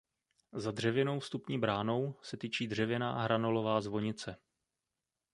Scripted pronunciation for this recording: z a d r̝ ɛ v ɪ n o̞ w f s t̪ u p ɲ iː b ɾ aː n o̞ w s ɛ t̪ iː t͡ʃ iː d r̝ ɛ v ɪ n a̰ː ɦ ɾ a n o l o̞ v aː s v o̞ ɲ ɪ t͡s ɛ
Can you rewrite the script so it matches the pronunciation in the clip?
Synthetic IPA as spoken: z a d r̝ ɛ v ɪ n o̞ w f s t̪ u p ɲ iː b ɾ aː n o̞ w s ɛ t̪ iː t͡ʃ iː d r̝ ɛ v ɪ n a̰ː ɦ ɾ a n o l o̞ v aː z v o̞ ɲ ɪ t͡s ɛ